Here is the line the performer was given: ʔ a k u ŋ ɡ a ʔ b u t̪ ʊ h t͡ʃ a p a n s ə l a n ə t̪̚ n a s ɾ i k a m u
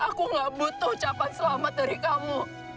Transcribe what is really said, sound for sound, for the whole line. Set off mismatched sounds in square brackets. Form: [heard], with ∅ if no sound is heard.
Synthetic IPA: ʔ a k u ŋ ɡ a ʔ b u t̪ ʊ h t͡ʃ a p a n s ə l a [m] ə t̪̚ [d] a [∅] ɾ i k a m u